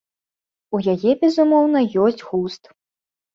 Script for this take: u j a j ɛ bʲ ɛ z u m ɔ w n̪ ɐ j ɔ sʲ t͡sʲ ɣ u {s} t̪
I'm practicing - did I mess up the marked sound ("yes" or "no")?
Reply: no